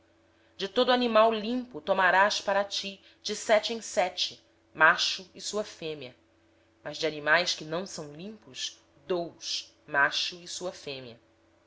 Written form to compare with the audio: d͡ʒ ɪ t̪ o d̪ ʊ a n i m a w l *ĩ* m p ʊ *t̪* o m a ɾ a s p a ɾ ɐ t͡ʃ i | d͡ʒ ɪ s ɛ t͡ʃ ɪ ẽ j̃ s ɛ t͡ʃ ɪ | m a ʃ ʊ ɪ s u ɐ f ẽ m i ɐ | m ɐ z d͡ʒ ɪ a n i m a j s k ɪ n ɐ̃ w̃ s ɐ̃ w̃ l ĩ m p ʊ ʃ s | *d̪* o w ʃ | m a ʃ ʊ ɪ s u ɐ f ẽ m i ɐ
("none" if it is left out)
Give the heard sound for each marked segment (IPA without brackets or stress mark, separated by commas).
ĩ, t̪, d̪